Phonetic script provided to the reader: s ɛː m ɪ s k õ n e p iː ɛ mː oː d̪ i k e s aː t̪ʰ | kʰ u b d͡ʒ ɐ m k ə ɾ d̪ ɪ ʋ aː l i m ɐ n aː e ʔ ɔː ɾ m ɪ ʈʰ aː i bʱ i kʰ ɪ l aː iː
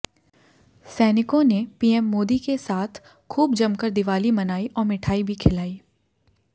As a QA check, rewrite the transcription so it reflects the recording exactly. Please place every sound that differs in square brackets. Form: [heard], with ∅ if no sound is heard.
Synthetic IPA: s ɛː [n] ɪ [∅] k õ n e p iː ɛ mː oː d̪ i k e s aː t̪ʰ | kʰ [uː] b d͡ʒ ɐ m k ə ɾ d̪ ɪ ʋ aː l i m ɐ n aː [i] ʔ ɔː ɾ m ɪ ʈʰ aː i bʱ i kʰ ɪ l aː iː